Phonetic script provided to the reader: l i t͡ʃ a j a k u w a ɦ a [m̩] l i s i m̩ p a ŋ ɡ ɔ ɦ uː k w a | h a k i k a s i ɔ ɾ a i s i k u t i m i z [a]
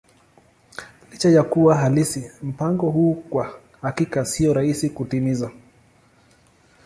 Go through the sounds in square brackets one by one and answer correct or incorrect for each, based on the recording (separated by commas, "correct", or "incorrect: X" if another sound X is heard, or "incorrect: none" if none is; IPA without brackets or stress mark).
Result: incorrect: none, correct